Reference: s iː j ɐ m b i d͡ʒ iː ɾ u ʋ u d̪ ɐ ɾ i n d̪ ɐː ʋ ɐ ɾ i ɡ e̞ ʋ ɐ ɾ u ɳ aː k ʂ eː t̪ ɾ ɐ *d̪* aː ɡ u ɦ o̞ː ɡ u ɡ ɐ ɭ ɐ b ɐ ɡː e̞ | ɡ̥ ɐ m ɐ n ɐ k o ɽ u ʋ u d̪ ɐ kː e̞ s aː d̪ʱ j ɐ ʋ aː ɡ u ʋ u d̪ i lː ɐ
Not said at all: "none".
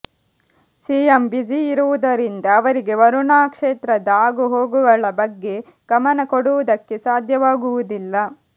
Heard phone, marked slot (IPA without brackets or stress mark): d̪